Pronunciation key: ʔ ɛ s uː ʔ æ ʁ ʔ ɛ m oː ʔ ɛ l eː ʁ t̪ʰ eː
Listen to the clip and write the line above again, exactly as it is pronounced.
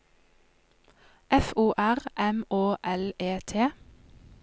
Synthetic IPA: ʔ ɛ f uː ʔ æ ʁ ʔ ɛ m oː ʔ ɛ l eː t̪ʰ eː